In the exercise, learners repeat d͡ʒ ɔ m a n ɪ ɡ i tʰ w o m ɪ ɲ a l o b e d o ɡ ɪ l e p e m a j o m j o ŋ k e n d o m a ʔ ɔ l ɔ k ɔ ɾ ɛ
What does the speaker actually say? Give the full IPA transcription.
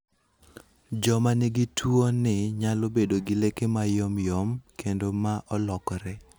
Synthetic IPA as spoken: d͡ʒ ɔ m a n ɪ ɡ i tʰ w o n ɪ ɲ a l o b e d o ɡ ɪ l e k e m a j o m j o m k e n d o m a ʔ ɔ l ɔ k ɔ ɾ ɛ